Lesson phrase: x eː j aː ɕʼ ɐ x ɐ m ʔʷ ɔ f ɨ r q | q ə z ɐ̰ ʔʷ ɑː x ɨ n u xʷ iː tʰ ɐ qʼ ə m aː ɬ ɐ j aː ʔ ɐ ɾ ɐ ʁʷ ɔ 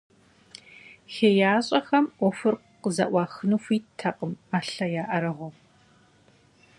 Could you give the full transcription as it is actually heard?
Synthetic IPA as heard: x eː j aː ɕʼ ɐ x ɐ m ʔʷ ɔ f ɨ r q | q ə z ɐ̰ ʔʷ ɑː x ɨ n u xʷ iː tʰ ɐ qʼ ə m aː ɬ ɐ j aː ʔ ɐ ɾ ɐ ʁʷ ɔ